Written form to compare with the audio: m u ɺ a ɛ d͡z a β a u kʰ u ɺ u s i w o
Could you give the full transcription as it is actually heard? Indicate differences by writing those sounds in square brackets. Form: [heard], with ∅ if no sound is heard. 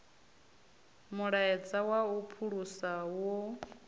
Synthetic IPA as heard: m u ɺ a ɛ d͡z a [w] a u [pʰ] u ɺ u s [a] w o